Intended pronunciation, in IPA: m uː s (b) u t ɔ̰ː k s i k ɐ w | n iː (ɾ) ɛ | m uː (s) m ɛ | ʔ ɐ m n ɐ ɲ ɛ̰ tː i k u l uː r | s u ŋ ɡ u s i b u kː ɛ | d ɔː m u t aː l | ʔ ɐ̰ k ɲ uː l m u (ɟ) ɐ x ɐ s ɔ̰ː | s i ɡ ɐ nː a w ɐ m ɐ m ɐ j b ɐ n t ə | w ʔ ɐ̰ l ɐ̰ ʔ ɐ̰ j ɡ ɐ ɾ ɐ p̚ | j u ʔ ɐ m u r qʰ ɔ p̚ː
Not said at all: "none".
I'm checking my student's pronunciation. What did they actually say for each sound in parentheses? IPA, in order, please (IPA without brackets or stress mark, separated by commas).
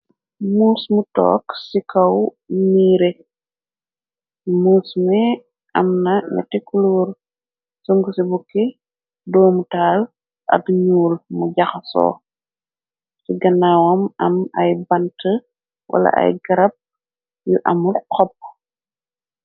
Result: m, ɾ, s, ɟ